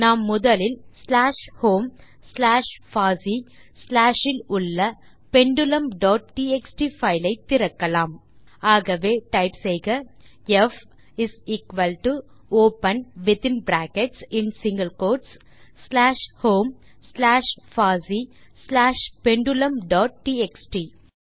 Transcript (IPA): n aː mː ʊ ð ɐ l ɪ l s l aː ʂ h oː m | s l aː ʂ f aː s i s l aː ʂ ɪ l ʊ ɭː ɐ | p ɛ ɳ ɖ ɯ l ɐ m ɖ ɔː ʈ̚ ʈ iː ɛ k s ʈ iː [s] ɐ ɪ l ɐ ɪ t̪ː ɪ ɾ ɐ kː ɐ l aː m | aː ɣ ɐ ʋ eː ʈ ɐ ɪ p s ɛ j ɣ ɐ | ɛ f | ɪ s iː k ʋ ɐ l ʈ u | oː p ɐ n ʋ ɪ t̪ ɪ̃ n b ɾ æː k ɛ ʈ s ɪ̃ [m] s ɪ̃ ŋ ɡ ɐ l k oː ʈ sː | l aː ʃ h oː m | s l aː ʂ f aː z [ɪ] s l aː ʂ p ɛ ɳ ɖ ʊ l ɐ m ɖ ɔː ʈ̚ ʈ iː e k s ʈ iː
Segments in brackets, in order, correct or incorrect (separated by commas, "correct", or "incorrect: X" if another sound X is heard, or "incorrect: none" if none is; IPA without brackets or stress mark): incorrect: f, incorrect: n, incorrect: i